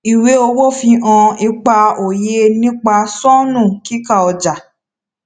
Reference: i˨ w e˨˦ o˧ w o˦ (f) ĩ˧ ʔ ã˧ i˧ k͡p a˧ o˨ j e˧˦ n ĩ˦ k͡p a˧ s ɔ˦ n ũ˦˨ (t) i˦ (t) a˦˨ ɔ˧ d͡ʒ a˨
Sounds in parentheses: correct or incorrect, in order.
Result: correct, incorrect: k, incorrect: k

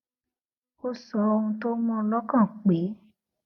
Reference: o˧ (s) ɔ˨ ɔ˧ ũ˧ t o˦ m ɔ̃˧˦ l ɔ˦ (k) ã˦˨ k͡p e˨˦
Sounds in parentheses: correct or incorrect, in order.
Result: correct, correct

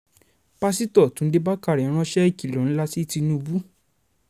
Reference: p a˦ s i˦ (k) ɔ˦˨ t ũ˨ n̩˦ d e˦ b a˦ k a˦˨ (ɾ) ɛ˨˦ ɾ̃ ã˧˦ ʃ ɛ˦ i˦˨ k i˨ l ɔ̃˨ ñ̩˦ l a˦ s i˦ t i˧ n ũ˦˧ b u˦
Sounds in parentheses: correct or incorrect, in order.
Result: incorrect: t, correct

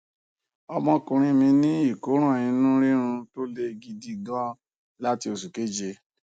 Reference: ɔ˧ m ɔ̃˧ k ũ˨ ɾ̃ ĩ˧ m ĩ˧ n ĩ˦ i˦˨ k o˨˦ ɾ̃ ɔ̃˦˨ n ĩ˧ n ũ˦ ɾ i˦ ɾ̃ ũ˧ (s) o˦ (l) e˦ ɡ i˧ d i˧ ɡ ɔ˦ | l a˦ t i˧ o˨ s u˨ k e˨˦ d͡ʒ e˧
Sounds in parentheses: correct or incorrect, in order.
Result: incorrect: t, correct

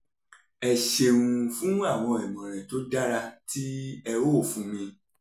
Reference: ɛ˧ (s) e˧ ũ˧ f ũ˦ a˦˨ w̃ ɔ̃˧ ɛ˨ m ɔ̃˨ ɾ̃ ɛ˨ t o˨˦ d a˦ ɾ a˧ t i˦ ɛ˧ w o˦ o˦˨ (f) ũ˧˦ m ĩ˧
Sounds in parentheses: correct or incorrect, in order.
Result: incorrect: ʃ, correct

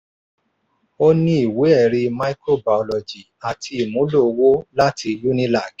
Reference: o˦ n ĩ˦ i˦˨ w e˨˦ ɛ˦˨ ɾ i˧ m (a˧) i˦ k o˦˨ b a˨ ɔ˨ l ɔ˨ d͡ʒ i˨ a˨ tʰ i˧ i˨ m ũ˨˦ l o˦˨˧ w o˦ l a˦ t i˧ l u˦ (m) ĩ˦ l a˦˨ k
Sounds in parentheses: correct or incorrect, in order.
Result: correct, incorrect: n

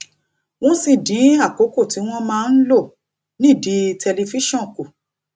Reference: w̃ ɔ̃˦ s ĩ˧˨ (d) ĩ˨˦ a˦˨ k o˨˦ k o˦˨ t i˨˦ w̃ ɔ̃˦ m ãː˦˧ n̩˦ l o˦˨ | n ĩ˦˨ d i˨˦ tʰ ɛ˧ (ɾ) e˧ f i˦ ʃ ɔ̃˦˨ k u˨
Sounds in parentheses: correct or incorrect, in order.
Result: correct, incorrect: l

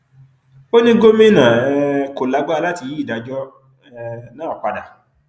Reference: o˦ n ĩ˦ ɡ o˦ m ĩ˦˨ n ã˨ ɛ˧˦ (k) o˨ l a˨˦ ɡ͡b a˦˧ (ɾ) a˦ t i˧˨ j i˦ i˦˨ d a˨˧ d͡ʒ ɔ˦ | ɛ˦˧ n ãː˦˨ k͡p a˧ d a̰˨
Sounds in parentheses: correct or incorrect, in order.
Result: correct, incorrect: l

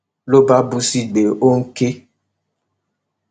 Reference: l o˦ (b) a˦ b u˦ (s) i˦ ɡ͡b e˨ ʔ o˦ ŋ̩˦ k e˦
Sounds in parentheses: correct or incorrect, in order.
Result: correct, correct

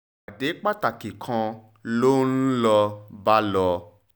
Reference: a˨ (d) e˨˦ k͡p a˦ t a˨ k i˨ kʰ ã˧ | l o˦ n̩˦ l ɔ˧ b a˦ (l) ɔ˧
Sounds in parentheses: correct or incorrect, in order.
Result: correct, correct

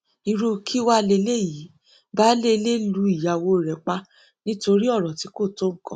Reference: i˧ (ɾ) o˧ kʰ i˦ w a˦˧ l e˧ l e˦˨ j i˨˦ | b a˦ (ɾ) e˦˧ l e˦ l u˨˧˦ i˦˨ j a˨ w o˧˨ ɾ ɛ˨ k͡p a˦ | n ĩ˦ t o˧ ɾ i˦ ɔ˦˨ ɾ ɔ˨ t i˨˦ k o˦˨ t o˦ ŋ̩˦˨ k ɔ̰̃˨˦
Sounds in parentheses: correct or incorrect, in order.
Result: correct, incorrect: l

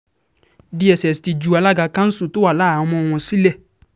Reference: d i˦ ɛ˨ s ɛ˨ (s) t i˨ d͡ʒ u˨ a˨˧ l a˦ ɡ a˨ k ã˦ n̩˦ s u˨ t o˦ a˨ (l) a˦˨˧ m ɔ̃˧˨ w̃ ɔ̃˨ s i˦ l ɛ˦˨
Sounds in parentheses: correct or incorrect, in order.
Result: correct, correct

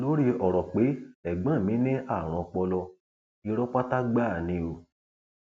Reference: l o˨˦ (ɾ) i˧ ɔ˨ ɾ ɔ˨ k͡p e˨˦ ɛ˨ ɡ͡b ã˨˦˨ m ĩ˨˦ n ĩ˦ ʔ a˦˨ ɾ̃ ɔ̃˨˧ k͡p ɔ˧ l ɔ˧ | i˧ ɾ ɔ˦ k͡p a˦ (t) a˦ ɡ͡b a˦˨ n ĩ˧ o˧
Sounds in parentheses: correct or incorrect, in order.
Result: correct, correct

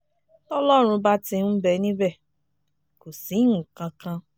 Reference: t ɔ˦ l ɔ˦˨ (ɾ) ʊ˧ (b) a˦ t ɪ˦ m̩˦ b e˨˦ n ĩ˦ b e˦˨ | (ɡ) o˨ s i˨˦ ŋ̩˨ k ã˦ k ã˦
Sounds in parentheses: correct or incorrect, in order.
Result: correct, correct, incorrect: k

